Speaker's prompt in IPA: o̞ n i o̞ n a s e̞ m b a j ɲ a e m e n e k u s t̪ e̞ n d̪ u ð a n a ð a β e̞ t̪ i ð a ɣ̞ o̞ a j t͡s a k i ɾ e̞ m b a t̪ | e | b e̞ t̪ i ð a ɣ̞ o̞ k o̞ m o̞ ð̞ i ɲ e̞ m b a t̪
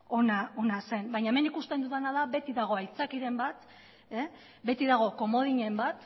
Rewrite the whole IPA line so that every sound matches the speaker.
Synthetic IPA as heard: o̞ n a o̞ n a s e̞ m b a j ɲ a e m e n i k u s t̪ e̞ n d̪ u ð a n a ð a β e̞ t̪ i ð a ɣ̞ o̞ a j t͡s a k i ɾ e̞ m b a t̪ | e | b e̞ t̪ i ð a ɣ̞ o̞ k o̞ m o̞ ð̞ i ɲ e̞ m b a t̪